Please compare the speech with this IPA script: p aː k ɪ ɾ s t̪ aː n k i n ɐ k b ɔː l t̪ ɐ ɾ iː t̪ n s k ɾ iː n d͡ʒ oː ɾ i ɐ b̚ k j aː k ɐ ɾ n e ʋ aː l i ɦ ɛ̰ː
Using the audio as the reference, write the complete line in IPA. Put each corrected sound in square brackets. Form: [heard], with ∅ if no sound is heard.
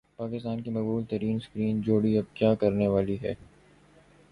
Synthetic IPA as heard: p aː k ɪ [∅] s t̪ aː n k i [m] ɐ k b [uː] l t̪ ɐ ɾ iː [∅] n s k ɾ iː n d͡ʒ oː [ɽ] i ɐ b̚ k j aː k ɐ ɾ n e ʋ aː l i ɦ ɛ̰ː